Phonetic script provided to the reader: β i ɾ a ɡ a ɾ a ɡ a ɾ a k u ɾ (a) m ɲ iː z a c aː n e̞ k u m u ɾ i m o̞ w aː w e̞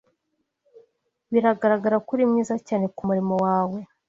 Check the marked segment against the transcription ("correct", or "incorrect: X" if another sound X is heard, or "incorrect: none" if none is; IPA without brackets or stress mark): incorrect: i